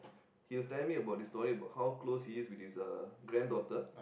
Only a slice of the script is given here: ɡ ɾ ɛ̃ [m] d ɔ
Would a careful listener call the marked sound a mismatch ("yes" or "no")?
yes